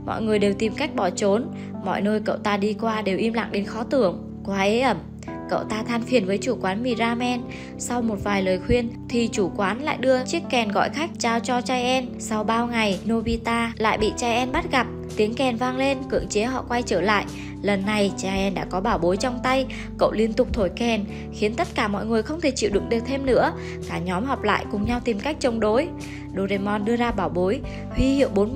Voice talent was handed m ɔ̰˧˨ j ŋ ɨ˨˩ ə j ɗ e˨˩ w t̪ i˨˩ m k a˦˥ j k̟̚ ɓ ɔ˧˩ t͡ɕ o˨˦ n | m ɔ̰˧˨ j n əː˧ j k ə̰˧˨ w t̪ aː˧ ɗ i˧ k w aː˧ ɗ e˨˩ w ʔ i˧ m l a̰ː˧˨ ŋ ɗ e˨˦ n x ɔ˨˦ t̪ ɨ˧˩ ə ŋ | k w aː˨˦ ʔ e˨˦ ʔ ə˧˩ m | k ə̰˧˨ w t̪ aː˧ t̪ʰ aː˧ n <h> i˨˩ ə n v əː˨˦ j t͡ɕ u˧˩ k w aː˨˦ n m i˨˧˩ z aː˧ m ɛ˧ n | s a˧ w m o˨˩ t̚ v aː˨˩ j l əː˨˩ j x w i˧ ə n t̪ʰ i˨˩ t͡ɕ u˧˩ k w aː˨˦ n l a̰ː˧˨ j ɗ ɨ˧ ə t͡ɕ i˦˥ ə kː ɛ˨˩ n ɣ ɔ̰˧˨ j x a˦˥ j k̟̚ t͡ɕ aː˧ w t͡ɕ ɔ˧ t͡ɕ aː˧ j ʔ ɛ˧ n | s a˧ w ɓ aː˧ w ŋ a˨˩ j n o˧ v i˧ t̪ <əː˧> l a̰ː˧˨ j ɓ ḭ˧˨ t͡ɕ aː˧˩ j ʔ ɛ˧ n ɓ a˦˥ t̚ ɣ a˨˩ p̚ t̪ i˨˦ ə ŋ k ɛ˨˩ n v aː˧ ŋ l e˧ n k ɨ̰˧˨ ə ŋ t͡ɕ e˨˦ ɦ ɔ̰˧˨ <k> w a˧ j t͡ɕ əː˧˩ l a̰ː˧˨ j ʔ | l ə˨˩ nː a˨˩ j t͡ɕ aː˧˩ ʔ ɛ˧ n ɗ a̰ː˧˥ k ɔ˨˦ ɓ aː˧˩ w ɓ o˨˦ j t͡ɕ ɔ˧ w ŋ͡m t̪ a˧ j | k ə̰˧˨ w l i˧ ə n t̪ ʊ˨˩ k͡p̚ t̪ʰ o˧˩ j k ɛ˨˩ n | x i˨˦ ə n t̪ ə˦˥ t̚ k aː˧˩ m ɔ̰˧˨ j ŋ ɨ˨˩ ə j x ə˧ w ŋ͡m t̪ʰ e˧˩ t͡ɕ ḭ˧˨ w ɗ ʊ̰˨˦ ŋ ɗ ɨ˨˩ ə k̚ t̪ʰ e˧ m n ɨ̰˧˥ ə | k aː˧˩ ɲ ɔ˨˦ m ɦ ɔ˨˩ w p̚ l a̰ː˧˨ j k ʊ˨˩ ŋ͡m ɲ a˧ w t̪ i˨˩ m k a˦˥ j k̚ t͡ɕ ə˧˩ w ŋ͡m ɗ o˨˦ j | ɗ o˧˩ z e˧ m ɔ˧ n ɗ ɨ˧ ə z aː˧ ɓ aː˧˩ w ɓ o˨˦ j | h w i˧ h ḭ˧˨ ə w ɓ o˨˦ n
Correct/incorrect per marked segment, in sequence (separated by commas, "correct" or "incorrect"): incorrect, incorrect, correct